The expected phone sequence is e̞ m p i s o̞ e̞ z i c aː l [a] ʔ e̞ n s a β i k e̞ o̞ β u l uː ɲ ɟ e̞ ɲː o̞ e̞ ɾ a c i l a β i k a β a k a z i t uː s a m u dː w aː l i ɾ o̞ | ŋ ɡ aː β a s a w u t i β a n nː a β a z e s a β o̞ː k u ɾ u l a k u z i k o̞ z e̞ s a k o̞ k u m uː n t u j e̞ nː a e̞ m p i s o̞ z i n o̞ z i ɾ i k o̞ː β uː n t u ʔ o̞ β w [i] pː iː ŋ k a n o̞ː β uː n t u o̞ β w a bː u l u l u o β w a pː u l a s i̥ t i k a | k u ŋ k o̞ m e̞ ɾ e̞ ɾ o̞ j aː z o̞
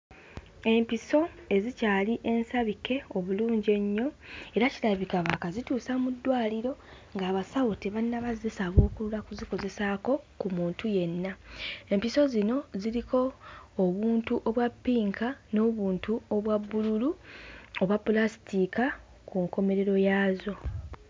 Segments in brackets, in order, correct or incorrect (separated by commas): incorrect, incorrect